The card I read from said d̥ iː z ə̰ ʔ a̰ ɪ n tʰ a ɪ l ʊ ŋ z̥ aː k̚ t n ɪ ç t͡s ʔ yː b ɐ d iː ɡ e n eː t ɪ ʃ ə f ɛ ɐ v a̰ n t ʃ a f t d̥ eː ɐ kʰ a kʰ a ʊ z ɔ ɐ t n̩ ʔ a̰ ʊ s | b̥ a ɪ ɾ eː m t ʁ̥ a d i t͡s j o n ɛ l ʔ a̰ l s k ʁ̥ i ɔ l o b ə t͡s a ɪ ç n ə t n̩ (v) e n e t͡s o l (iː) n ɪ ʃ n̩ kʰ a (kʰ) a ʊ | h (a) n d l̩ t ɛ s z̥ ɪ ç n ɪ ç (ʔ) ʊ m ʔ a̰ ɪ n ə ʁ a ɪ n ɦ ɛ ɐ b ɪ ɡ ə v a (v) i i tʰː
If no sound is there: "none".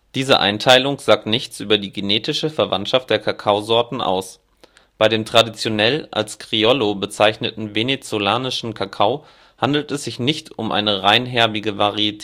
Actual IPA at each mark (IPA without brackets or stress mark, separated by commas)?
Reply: v, aː, kʰ, a, t, ʁ